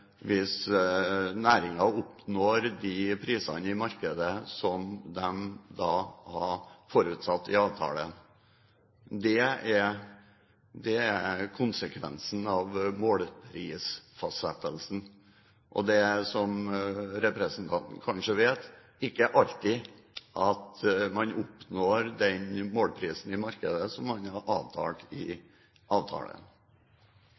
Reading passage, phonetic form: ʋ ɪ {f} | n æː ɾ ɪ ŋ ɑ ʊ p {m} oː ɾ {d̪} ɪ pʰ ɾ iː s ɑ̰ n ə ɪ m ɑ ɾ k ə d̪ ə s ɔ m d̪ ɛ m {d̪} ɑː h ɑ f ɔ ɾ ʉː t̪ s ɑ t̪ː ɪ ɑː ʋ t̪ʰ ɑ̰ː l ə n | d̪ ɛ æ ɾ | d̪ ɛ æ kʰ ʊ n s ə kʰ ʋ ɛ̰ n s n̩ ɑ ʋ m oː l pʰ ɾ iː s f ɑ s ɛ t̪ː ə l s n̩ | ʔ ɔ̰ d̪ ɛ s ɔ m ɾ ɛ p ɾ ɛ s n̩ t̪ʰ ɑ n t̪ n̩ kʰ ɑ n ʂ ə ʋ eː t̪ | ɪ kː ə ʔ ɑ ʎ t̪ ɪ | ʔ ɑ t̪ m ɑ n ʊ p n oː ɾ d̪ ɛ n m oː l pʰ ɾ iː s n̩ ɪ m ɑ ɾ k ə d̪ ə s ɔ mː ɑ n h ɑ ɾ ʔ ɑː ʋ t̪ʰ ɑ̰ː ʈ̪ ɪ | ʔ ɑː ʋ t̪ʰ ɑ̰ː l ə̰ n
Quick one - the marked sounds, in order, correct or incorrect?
incorrect, incorrect, correct, correct

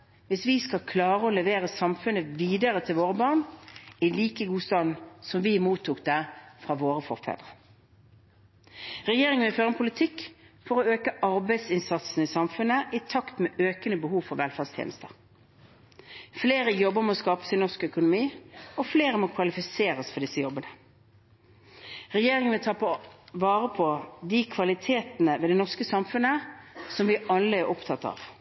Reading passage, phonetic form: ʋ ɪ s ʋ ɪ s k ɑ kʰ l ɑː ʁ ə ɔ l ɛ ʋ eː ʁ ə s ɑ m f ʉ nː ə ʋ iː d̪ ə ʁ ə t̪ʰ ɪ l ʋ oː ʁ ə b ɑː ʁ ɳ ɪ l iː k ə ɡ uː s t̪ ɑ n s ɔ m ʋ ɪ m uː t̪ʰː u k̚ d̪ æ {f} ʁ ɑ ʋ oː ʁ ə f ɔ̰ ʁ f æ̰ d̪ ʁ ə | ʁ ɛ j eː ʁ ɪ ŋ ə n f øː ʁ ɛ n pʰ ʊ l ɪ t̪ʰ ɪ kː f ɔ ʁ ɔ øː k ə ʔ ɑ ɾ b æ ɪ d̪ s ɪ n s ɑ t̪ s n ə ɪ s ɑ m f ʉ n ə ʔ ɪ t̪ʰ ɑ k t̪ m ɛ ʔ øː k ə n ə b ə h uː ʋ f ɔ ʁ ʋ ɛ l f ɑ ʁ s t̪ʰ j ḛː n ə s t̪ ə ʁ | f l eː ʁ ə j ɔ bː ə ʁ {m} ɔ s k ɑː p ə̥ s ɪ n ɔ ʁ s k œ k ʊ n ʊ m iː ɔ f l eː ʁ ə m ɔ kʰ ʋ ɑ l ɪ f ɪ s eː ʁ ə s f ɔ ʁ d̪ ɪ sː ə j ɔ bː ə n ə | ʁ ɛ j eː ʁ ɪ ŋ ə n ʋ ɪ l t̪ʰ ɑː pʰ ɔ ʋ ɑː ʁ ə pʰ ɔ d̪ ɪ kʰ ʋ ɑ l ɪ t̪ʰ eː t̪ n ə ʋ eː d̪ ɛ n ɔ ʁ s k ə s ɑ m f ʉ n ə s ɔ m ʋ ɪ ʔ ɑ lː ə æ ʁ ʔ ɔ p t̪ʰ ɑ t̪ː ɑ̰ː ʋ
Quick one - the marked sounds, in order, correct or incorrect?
correct, correct

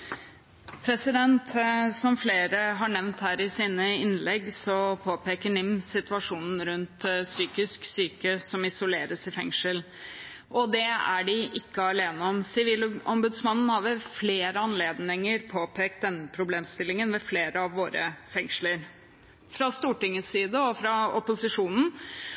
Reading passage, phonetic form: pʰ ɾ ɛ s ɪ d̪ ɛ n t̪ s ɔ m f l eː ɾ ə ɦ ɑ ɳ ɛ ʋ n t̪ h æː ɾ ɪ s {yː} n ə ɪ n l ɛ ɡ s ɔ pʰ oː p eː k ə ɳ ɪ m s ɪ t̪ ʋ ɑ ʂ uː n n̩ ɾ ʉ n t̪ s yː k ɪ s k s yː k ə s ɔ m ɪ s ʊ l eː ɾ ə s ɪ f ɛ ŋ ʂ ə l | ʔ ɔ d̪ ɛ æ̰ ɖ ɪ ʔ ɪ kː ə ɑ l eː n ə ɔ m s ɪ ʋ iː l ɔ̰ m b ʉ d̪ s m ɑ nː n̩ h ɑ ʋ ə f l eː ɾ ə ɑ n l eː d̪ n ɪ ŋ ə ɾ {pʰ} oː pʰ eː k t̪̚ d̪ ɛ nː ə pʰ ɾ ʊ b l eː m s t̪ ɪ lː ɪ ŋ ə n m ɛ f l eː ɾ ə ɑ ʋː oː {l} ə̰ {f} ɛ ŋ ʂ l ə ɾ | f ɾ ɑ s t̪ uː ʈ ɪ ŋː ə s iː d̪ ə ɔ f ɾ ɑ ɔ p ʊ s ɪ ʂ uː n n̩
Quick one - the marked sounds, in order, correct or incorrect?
incorrect, correct, incorrect, correct

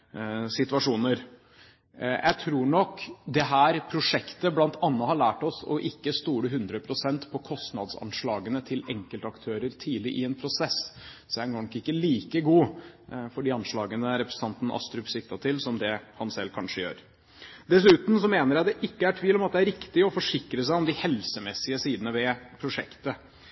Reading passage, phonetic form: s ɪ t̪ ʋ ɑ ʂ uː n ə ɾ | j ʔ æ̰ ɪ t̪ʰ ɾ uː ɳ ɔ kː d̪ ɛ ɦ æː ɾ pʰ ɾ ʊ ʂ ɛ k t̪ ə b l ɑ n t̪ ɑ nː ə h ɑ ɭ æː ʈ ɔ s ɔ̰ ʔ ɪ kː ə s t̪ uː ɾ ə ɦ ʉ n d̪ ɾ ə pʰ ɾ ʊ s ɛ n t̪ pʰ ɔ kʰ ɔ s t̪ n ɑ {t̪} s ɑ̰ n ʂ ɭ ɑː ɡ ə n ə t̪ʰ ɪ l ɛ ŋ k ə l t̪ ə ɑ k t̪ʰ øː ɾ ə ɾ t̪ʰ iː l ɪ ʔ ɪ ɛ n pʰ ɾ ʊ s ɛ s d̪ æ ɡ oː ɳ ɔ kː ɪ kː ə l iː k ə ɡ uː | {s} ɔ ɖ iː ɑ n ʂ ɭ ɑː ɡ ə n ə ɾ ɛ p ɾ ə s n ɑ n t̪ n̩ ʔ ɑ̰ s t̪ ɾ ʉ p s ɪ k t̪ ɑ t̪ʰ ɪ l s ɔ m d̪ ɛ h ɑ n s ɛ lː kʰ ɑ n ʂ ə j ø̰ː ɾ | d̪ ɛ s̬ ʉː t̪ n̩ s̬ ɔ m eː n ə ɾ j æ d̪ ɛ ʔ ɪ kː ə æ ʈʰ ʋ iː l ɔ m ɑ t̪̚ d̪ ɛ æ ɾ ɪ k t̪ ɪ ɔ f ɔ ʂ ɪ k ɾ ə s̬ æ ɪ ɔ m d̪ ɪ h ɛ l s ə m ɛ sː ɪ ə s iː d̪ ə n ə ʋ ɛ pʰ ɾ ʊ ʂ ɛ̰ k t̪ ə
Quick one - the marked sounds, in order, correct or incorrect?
incorrect, incorrect

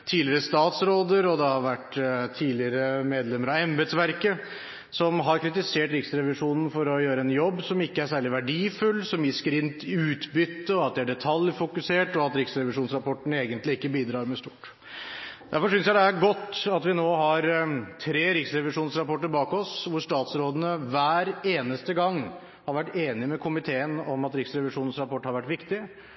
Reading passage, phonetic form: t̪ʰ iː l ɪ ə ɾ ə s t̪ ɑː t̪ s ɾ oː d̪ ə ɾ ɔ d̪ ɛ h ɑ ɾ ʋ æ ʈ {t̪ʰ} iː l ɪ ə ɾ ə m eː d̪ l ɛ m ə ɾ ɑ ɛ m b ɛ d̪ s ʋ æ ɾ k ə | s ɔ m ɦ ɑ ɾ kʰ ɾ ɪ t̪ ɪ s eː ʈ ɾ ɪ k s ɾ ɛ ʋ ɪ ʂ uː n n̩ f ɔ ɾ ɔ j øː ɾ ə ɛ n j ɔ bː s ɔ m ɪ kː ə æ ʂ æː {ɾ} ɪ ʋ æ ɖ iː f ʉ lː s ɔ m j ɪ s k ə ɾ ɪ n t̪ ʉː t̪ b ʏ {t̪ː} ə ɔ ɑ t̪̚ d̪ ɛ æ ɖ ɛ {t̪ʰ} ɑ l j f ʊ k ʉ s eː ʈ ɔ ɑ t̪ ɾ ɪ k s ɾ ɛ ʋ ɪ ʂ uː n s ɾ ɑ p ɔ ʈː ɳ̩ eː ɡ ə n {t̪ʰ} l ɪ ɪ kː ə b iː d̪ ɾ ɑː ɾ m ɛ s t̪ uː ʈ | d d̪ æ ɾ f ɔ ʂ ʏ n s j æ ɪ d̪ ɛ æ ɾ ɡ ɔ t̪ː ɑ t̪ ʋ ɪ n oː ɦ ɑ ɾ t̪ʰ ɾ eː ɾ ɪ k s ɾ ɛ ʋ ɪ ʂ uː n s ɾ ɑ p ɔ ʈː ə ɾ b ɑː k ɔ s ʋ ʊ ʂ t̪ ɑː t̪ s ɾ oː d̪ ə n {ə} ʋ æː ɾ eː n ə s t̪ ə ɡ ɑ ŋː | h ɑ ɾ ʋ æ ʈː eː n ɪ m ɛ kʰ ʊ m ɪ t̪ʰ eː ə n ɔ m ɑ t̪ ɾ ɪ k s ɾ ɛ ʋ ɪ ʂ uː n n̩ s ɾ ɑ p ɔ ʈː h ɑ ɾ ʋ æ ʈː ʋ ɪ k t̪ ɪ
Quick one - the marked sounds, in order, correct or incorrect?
correct, incorrect, correct, correct, incorrect, correct

